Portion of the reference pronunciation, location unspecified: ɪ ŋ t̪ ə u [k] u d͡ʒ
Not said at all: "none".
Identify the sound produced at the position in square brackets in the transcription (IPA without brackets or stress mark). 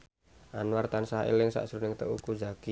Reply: k